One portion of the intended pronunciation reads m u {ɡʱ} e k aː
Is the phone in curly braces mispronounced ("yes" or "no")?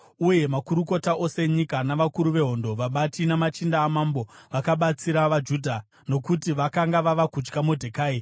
yes